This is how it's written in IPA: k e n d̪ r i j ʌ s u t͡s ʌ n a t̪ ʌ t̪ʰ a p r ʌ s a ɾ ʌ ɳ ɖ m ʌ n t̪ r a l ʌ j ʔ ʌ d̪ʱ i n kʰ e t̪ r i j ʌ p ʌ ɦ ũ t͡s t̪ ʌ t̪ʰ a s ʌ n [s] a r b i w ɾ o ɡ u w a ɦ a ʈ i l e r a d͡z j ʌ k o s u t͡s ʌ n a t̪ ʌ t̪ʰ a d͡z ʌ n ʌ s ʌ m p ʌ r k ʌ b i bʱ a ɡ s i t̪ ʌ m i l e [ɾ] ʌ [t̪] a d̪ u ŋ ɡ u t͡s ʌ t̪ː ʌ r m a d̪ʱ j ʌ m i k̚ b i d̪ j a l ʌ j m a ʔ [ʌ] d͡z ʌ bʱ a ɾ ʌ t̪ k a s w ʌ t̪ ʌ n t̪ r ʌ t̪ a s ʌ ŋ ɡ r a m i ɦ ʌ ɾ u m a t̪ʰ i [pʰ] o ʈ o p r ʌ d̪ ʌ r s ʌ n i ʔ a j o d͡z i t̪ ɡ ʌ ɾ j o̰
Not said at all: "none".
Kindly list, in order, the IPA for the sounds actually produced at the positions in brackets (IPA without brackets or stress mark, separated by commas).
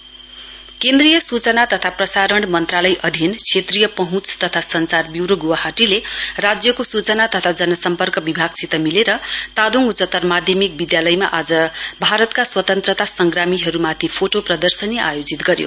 t͡s, ɾ, t̪, a, pʰ